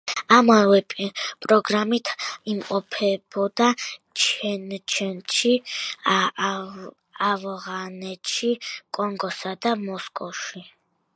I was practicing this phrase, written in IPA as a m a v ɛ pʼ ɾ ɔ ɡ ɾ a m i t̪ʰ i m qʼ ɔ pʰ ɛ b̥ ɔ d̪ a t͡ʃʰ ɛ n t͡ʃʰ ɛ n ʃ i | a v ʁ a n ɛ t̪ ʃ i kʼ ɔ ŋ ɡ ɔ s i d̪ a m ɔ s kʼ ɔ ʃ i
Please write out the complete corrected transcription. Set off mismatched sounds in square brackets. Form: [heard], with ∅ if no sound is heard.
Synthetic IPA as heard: a m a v ɛ pʼ ɾ ɔ ɡ ɾ a m i t̪ʰ i m qʼ ɔ pʰ ɛ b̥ ɔ d̪ a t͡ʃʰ ɛ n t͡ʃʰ ɛ n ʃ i | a v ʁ a n ɛ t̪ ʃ i kʼ ɔ ŋ ɡ ɔ s [a] d̪ a m ɔ s kʼ ɔ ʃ i